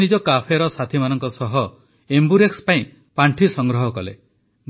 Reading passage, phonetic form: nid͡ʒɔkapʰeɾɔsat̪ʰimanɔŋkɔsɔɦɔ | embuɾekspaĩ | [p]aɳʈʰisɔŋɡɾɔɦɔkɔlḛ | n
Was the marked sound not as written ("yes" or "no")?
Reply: no